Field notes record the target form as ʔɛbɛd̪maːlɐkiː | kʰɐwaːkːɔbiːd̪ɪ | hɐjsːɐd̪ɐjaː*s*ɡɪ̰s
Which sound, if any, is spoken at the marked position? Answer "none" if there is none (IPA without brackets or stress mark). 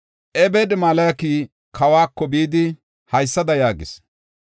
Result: none